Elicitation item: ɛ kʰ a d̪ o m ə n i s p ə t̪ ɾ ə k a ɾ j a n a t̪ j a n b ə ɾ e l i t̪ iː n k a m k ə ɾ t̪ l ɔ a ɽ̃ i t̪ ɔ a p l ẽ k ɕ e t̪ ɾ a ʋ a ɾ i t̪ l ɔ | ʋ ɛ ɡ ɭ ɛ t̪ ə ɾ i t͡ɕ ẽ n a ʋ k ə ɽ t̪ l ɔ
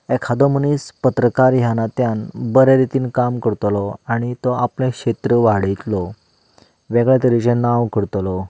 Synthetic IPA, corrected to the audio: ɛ kʰ a d̪ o m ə n i s p ə t̪ ɾ ə k a ɾ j a n a t̪ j a n b ə ɾ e ɾ i t̪ iː n k a m k ə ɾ t̪ l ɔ a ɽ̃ i t̪ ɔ a p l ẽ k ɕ e t̪ ɾ ə ʋ a ɽ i t̪ l ɔ | ʋ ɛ ɡ ɭ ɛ t̪ ə ɾ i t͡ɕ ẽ n a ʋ k ə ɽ t̪ l ɔ